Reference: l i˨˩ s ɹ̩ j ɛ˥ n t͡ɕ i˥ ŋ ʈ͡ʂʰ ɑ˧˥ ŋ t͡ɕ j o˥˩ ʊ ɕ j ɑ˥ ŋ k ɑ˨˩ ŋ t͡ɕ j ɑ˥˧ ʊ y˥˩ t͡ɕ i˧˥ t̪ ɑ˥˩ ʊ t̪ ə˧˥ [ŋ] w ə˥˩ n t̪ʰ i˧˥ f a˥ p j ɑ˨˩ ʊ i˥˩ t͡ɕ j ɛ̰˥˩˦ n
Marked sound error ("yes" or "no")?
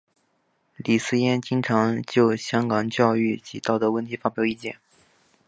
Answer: yes